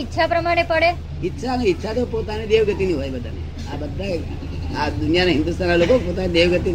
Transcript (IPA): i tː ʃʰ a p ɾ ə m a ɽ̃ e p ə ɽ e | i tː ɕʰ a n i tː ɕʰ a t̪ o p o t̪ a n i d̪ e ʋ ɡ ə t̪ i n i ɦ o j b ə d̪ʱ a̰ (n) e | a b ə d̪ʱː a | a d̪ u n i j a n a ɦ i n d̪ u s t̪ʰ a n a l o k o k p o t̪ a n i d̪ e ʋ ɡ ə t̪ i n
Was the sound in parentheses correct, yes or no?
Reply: yes